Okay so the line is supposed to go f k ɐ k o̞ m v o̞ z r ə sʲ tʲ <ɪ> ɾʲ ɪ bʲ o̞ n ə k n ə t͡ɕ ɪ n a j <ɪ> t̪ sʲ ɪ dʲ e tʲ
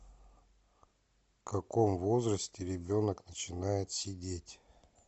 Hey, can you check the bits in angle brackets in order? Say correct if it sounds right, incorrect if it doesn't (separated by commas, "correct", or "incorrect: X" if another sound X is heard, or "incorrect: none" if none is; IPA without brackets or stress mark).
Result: correct, correct